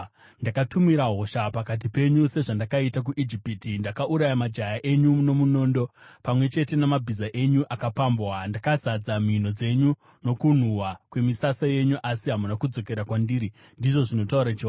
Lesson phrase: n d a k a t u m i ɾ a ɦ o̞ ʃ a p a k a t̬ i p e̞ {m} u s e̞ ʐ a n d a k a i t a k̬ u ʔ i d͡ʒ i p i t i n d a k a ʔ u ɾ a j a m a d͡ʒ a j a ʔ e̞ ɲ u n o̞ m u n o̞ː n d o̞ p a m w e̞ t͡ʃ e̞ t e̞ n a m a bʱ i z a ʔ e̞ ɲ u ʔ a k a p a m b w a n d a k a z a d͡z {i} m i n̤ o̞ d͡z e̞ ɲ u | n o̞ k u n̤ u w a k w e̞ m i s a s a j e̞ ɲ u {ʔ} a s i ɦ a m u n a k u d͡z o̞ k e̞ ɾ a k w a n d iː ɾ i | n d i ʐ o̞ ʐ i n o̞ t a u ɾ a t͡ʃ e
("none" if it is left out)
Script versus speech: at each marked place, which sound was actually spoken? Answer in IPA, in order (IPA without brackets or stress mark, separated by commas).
ɲ, a, ʔ